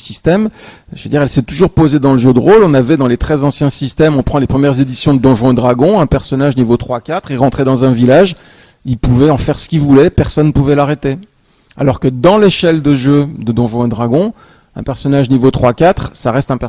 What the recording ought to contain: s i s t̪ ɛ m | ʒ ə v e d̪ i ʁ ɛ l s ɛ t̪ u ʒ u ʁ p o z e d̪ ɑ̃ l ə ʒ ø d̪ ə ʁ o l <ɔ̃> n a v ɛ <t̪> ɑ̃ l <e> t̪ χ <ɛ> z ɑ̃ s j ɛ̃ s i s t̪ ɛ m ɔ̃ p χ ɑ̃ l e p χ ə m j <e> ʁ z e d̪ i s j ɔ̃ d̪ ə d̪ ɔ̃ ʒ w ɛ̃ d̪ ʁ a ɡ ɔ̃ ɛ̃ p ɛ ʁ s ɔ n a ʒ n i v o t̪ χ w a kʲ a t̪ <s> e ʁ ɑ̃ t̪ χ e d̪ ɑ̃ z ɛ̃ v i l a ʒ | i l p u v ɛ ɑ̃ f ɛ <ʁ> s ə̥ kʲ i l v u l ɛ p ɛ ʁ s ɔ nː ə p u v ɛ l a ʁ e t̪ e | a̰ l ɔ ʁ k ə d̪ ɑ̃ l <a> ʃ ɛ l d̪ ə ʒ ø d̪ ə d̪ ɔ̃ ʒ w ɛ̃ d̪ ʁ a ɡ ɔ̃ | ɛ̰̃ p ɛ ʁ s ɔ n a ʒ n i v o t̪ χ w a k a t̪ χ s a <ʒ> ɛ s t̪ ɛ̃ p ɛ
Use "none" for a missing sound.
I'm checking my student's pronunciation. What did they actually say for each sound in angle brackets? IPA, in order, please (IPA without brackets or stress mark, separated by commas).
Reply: ɔ̃, d̪, e, ɛ, ɛ, χ, ʁ, e, ʁ